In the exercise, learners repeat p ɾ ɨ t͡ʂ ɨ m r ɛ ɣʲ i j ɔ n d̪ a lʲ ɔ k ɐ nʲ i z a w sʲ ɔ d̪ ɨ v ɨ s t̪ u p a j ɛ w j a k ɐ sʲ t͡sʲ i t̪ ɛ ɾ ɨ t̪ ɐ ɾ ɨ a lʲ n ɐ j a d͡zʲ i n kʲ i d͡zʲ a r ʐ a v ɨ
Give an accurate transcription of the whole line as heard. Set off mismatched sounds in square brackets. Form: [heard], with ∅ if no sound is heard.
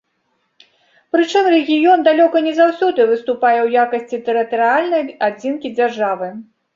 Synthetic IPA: p ɾ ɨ t͡ʂ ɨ m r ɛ ɣʲ i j ɔ n d̪ a lʲ ɔ k ɐ nʲ [ɛ] z a w sʲ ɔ d̪ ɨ v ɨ s t̪ u p a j ɛ w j a k ɐ sʲ t͡sʲ i t̪ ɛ ɾ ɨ t̪ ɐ ɾ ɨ a lʲ n ɐ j a d͡zʲ i n kʲ i d͡zʲ a r ʐ a v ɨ